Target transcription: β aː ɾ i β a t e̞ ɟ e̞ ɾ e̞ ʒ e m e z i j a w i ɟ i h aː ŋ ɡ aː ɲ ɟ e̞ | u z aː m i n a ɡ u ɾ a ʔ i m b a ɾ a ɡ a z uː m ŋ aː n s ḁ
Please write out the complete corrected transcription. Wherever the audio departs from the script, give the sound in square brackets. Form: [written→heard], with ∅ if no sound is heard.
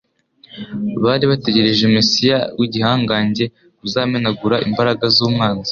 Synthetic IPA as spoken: β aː ɾ i β a t e̞ ɟ e̞ ɾ e̞ ʒ e m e [z→s] i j a w i ɟ i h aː ŋ ɡ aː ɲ ɟ e̞ | u z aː m [i→e] n a ɡ u ɾ a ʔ i m b a ɾ a ɡ a z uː m ŋ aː n [s→z] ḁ